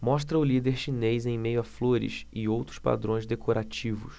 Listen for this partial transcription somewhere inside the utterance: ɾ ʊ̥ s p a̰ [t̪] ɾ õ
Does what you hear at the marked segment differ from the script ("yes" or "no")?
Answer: yes